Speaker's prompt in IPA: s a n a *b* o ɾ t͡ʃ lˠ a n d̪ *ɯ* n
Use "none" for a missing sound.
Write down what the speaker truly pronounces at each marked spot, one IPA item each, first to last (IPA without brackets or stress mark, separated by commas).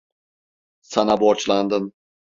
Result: b, ɯ